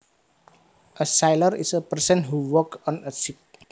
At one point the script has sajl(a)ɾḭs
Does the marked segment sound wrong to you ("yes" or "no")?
yes